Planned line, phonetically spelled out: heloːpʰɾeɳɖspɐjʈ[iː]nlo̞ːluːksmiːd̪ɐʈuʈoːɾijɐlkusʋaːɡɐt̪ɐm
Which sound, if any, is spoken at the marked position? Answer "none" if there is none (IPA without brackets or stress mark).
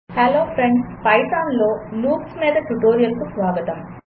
aː